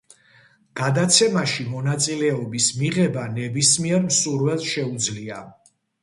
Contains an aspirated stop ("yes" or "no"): no